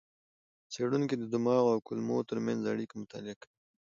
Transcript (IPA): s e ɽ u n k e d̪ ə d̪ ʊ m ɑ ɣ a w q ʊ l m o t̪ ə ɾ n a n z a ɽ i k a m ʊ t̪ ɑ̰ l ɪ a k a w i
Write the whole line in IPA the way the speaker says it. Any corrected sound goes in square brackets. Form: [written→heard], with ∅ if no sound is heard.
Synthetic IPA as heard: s e ɽ u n k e d̪ ə d̪ ʊ m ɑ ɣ a w [q→k] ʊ l m o t̪ ə ɾ [n→m] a n z a ɽ i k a m ʊ t̪ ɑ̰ l ɪ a k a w i

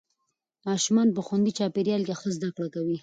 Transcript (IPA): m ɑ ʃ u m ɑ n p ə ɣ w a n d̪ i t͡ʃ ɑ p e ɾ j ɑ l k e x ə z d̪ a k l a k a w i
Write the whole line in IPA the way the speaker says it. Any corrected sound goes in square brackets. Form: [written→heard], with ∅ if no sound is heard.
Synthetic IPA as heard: m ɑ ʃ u m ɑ n p ə [ɣ→x] w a n d̪ i t͡ʃ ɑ p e ɾ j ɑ l k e x ə z d̪ a k [l→ɽ] a k a w i

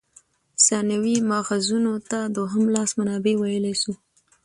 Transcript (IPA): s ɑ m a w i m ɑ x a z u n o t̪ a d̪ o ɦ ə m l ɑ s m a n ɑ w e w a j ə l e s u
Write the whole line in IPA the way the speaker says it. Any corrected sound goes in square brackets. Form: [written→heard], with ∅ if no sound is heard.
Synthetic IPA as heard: s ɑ [m→n] a w i m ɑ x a z u n o t̪ a d̪ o ɦ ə m l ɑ s m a n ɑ [w→b] e w a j ə l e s u

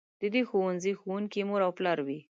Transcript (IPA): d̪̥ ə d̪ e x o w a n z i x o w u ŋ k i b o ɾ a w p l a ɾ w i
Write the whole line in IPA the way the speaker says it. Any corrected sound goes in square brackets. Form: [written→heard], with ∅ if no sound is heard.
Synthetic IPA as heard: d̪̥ ə d̪ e x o w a n z i x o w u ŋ k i [b→m] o ɾ a w p l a ɾ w i

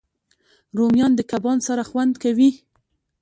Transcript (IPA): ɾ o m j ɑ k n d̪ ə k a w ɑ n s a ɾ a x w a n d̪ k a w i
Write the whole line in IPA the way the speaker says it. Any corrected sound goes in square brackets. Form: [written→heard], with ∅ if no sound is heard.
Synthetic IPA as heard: ɾ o m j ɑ [k→∅] n d̪ ə k a [w→b] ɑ n s a ɾ a x w a n d̪ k a w i

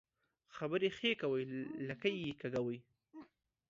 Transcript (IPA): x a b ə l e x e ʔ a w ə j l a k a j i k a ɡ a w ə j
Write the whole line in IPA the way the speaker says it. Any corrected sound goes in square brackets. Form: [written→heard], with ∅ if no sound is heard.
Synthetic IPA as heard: x a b ə [l→ɾ] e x e [ʔ→k] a w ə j l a k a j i k a ɡ a w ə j

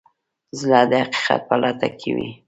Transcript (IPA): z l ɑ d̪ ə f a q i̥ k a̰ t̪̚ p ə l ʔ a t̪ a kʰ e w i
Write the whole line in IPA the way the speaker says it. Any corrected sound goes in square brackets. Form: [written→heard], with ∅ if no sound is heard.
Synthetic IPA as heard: z l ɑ d̪ ə [f→h] a q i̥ [k→q] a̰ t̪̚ p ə l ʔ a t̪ a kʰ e w i

